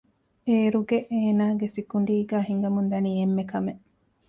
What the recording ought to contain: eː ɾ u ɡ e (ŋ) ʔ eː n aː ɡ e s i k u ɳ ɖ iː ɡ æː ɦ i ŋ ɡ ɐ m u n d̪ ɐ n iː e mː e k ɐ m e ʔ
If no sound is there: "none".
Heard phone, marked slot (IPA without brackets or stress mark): none